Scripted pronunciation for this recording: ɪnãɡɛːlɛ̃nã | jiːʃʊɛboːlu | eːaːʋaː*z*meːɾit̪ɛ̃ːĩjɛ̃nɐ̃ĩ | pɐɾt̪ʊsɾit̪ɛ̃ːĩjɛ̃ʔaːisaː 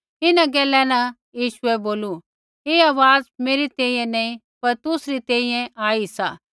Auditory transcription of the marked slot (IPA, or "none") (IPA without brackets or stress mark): z